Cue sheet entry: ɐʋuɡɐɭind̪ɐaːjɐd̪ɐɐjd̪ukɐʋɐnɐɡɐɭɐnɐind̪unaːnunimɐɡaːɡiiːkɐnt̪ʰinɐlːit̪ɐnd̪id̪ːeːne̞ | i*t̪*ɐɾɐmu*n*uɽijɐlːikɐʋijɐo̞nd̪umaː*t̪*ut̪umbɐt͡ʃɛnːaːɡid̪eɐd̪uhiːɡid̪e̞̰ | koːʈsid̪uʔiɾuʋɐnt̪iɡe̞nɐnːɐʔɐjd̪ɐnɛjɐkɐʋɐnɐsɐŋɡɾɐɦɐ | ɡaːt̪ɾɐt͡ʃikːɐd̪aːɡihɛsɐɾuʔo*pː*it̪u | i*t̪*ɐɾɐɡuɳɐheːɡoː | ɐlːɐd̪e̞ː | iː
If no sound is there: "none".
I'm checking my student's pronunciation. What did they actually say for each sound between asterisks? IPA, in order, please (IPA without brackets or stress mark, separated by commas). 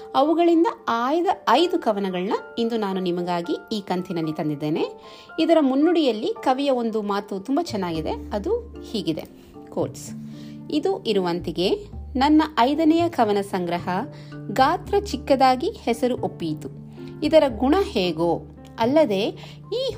d̪, nː, t̪, pː, d̪